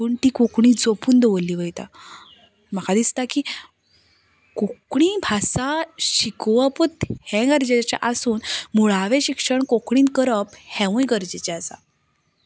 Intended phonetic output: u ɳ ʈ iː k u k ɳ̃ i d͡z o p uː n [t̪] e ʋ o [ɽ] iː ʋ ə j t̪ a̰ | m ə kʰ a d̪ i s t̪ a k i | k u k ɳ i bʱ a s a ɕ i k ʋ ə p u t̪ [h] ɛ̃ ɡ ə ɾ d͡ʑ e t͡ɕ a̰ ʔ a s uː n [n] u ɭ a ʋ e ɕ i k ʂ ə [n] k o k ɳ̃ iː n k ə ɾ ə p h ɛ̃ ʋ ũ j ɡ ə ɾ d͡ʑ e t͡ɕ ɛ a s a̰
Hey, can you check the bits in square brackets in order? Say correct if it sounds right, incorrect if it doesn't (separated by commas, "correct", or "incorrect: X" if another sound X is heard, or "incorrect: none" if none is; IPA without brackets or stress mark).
incorrect: d̪, incorrect: l, correct, incorrect: m, incorrect: ɳ